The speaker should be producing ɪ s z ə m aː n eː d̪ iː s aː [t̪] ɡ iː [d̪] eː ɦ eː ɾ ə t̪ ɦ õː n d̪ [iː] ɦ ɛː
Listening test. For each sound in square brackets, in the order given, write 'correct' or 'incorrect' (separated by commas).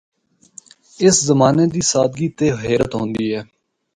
incorrect, incorrect, correct